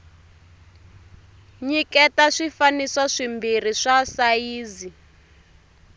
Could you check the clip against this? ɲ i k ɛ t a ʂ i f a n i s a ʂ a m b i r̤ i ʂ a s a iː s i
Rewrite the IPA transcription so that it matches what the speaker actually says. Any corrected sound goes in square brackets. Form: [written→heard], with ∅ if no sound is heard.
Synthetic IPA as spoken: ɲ i k ɛ t a ʂ i f a n i s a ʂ [a→i] m b i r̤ i ʂ a s a iː [s→z] i